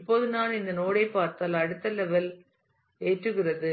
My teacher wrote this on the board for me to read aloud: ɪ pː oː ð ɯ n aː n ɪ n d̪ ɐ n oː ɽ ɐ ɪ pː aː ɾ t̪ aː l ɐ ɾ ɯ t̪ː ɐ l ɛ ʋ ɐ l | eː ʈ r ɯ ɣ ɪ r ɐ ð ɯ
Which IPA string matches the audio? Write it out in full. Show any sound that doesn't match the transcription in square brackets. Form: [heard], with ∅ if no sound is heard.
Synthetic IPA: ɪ pː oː ð ɯ n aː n ɪ n d̪ ɐ n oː ɽ ɐ ɪ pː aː ɾ t̪ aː l ɐ [ɽ] ɯ t̪ː ɐ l ɛ ʋ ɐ l | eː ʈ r ɯ ɣ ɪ r ɐ ð ɯ